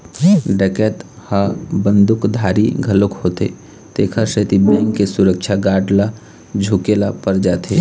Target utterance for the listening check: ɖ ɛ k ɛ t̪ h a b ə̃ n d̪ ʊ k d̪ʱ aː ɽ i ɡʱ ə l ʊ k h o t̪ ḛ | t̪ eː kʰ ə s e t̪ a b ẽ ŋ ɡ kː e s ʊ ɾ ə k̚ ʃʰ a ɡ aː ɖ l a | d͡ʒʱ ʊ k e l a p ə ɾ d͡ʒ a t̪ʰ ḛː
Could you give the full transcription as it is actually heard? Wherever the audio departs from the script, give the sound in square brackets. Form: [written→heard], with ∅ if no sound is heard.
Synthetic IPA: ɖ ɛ k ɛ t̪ h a b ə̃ n d̪ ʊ k d̪ʱ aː [ɽ→ɾ] i ɡʱ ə l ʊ k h o t̪ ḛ | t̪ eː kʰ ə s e t̪ [a→i] b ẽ ŋ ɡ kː e s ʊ ɾ ə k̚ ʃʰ a ɡ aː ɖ l a | d͡ʒʱ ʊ k e l a p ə ɾ d͡ʒ a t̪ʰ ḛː